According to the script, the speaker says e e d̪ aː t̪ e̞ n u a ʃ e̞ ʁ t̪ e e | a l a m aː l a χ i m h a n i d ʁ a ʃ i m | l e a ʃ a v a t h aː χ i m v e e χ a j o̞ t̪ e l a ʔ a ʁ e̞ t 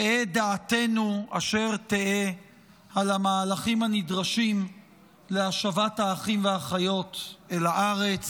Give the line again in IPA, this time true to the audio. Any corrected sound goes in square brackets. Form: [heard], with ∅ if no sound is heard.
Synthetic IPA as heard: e e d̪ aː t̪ e̞ n u a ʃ e̞ ʁ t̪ e e | a l a m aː l a χ i m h a n i d ʁ a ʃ i m | l e a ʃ a v a t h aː χ i m v e [a] χ a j o̞ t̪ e l a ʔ a ʁ e̞ [t͡s]